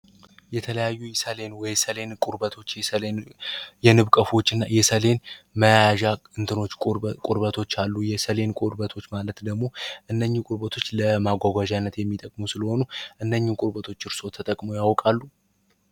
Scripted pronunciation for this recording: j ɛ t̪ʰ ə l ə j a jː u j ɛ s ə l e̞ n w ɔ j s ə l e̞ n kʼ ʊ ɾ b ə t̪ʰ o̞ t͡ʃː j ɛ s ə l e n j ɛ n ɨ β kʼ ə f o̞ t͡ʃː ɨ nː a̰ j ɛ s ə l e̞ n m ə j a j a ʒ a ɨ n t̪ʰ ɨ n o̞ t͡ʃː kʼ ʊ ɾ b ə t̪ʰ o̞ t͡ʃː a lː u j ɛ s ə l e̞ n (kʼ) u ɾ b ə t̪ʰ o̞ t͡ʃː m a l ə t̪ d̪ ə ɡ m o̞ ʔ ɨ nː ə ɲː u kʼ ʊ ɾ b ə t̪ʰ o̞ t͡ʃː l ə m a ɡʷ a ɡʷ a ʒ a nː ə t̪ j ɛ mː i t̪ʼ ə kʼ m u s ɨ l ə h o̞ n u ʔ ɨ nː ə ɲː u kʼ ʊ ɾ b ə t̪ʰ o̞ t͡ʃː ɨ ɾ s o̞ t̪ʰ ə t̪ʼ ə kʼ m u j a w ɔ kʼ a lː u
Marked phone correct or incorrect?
correct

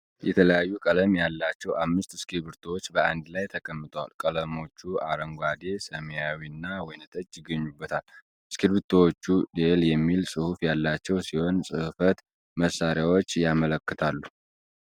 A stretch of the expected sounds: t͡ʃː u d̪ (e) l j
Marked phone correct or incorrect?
correct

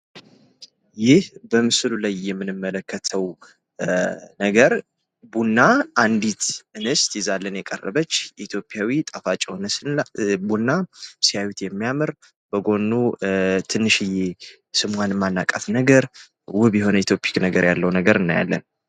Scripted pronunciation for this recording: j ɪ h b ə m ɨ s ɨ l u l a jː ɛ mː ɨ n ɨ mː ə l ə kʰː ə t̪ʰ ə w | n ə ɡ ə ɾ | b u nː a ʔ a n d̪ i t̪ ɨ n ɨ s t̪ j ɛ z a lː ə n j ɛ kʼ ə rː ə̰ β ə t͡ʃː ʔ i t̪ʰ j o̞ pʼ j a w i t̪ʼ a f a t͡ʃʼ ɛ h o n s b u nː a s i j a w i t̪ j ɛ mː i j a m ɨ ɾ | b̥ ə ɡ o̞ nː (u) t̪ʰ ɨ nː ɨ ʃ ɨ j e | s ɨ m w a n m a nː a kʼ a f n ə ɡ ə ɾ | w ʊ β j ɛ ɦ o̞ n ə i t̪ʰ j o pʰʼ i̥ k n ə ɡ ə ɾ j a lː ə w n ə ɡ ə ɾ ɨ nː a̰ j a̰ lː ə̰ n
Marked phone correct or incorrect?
correct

